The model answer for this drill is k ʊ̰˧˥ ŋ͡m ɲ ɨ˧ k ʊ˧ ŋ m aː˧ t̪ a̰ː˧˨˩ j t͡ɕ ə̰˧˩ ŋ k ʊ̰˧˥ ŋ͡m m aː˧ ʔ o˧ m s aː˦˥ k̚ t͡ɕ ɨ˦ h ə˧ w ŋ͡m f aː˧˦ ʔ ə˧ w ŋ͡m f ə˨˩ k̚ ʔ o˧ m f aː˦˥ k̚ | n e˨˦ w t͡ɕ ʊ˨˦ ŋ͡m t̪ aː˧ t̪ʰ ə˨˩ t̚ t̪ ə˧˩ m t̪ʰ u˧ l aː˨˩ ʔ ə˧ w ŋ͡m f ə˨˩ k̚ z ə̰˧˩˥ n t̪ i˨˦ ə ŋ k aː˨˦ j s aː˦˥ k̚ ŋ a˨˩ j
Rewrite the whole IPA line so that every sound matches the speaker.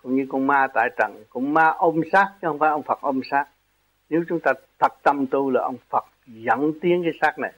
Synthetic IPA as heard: k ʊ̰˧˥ ŋ͡m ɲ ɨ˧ k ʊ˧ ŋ m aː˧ t̪ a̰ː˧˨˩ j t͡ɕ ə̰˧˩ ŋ k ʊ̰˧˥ ŋ͡m m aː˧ ʔ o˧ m s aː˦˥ k̚ t͡ɕ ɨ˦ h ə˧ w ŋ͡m f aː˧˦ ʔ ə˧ w ŋ͡m f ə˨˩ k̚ ʔ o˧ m s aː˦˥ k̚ | n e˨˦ w t͡ɕ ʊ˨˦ ŋ͡m t̪ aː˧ t̪ʰ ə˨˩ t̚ t̪ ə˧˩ m t̪ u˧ l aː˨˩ ʔ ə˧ w ŋ͡m f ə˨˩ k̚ z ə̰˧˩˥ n t̪ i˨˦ ə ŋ k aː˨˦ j s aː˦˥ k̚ n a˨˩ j